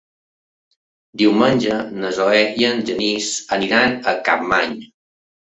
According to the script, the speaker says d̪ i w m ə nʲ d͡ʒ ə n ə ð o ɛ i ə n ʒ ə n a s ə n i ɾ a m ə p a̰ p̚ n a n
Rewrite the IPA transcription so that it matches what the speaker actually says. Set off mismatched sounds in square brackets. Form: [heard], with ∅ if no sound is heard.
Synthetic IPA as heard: d̪ i w m ə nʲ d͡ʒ ə n ə [z] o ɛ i ə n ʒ ə n [i] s ə n i ɾ a [n] ə [k] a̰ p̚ [m] a [ɲ]